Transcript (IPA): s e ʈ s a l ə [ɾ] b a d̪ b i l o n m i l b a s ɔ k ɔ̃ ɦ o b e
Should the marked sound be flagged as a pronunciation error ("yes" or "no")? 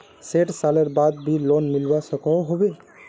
no